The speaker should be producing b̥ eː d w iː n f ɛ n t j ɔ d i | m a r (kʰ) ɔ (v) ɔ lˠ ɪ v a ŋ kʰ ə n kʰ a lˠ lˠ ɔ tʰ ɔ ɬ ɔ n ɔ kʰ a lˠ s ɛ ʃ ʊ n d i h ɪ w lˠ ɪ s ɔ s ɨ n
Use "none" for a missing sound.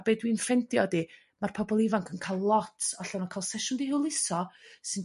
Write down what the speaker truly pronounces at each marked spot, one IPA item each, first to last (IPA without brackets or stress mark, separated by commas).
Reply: pʰ, b